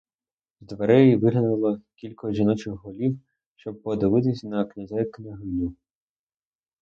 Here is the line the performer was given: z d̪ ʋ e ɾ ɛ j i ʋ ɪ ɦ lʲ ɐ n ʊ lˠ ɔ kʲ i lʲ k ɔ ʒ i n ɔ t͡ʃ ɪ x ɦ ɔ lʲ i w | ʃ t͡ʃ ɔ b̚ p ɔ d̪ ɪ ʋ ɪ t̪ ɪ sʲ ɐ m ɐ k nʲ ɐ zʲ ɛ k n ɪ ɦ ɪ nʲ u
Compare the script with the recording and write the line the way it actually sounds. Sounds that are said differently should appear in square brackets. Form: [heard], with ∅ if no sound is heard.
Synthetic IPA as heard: z d̪ ʋ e ɾ ɛ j i ʋ ɪ ɦ lʲ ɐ n ʊ lˠ ɔ kʲ i lʲ k ɔ ʒ i n ɔ t͡ʃ ɪ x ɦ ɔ lʲ i w | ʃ t͡ʃ ɔ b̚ p ɔ d̪ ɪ ʋ ɪ t̪ ɪ sʲ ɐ [n] ɐ k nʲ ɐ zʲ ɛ k n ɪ ɦ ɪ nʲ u

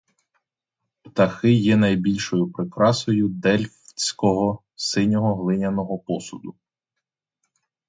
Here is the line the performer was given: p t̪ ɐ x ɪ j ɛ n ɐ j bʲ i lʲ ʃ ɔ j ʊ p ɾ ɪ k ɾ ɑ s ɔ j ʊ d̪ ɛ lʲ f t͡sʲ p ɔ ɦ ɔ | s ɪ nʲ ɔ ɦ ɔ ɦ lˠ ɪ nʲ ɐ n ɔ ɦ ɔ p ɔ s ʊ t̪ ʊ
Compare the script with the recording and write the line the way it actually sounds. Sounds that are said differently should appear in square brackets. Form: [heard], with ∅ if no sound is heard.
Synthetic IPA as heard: p t̪ ɐ x ɪ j ɛ n ɐ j bʲ i lʲ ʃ ɔ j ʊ p ɾ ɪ k ɾ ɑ s ɔ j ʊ d̪ ɛ lʲ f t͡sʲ [k] ɔ ɦ ɔ | s ɪ nʲ ɔ ɦ ɔ ɦ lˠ ɪ nʲ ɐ n ɔ ɦ ɔ p ɔ s ʊ [d̪] ʊ

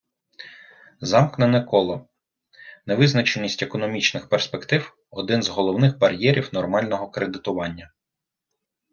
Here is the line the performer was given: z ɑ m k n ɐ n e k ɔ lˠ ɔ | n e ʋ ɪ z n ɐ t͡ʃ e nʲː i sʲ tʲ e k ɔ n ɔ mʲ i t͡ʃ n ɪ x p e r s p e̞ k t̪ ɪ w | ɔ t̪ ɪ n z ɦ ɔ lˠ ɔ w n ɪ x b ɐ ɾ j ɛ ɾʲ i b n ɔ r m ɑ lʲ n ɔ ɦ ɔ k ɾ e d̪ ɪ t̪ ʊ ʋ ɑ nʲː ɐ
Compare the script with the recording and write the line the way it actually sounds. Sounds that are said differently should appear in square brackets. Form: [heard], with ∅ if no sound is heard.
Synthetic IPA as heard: z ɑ m k n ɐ n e k ɔ lˠ ɔ | n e ʋ ɪ z n ɐ t͡ʃ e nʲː i sʲ tʲ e k ɔ n ɔ mʲ i t͡ʃ n ɪ x p e r s p e̞ k t̪ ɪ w | ɔ [d̪] ɪ n z ɦ ɔ lˠ ɔ w n ɪ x b ɐ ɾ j ɛ ɾʲ i [w] n ɔ r m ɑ lʲ n ɔ ɦ ɔ k ɾ e d̪ ɪ t̪ ʊ ʋ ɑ nʲː ɐ

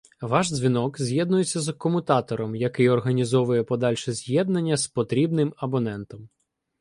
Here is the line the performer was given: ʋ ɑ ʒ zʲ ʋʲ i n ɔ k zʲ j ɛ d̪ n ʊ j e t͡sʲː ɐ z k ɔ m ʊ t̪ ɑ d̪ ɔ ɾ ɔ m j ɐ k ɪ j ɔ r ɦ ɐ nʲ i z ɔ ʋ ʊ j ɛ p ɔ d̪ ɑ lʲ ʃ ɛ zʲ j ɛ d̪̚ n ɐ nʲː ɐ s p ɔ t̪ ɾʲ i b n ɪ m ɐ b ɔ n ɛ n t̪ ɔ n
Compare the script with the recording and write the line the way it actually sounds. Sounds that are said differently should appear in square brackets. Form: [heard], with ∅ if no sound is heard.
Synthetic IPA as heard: ʋ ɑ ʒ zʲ ʋʲ i n ɔ k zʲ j ɛ d̪ n ʊ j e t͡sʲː ɐ z k ɔ m ʊ t̪ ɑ [t̪] ɔ ɾ ɔ m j ɐ k ɪ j ɔ r ɦ ɐ nʲ i z ɔ ʋ ʊ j ɛ p ɔ d̪ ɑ lʲ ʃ ɛ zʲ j ɛ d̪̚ n ɐ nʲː ɐ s p ɔ t̪ ɾʲ i b n ɪ m ɐ b ɔ n ɛ n t̪ ɔ [m]

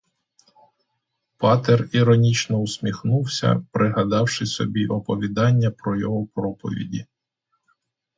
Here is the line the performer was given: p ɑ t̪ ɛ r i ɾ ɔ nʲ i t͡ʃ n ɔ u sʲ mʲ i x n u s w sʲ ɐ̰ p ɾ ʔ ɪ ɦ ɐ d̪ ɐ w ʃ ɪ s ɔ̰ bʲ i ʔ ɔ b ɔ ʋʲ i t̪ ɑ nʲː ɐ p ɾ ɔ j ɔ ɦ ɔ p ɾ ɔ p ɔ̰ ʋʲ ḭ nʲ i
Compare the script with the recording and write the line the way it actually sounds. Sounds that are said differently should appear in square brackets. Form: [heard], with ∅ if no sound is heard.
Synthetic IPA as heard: p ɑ t̪ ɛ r i ɾ ɔ nʲ i t͡ʃ n ɔ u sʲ mʲ i x n u [∅] w sʲ ɐ̰ p ɾ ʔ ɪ ɦ ɐ d̪ [ɑ] w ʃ ɪ s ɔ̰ bʲ i ʔ ɔ [p] ɔ ʋʲ i [d̪] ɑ nʲː ɐ p ɾ ɔ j ɔ ɦ ɔ p ɾ ɔ p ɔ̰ ʋʲ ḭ [dʲ] i

